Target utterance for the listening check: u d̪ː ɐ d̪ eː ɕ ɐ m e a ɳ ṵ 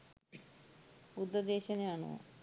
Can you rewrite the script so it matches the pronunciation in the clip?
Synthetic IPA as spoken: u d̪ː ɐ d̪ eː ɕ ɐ n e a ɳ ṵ